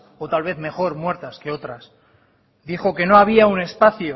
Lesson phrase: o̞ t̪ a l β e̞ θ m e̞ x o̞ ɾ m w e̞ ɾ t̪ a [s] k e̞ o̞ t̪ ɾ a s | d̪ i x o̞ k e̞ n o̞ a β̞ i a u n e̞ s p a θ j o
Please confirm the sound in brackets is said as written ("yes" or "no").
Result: yes